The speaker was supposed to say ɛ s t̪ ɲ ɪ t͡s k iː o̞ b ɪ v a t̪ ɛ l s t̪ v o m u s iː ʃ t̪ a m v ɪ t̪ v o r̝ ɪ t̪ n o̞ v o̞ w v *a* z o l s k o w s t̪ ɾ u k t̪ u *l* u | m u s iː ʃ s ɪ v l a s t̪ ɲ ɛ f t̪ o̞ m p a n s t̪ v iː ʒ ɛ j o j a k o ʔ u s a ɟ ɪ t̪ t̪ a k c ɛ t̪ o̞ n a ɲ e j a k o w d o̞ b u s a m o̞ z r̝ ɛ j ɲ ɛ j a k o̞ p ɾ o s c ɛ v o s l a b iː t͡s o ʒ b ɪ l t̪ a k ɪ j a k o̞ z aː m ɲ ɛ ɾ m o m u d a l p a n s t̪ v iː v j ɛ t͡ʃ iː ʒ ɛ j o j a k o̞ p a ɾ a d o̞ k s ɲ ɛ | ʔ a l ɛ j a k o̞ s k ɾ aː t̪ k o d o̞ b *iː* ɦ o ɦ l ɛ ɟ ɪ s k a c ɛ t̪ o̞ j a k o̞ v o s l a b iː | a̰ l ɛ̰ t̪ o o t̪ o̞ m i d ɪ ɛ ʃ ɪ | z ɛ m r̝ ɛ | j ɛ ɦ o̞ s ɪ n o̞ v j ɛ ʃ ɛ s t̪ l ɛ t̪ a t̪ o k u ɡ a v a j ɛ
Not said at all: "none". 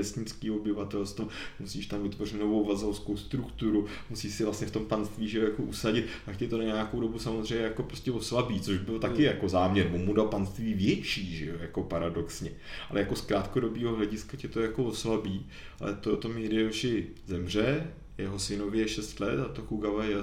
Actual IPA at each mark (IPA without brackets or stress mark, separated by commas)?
a, ɾ, iː